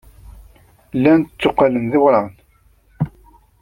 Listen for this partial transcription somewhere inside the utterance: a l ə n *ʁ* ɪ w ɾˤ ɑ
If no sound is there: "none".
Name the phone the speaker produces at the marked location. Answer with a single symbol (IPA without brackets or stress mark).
ð